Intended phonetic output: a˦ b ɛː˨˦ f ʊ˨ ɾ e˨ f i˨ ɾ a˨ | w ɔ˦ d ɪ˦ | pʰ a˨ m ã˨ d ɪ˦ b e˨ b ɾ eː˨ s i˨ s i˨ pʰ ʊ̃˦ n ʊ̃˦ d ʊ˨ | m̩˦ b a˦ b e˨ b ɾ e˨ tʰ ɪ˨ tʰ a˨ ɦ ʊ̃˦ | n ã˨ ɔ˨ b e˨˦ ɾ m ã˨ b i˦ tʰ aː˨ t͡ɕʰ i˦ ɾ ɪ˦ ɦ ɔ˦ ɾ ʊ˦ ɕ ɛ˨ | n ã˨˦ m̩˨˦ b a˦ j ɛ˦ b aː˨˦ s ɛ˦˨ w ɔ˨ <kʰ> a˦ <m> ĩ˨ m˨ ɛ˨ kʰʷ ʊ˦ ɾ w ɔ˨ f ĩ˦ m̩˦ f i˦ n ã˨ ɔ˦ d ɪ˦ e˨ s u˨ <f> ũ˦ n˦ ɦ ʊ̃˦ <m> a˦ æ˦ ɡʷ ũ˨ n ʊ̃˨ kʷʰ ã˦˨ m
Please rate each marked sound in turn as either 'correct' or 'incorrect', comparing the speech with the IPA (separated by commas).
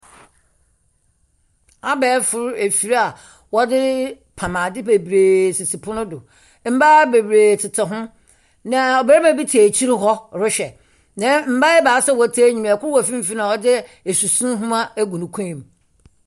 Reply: incorrect, incorrect, incorrect, correct